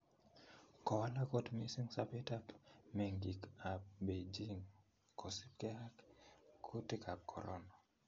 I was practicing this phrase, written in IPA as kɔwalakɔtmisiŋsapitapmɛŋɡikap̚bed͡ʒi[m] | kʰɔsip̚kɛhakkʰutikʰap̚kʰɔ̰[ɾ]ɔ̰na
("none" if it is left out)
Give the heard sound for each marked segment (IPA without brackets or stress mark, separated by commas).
ŋ, ɾ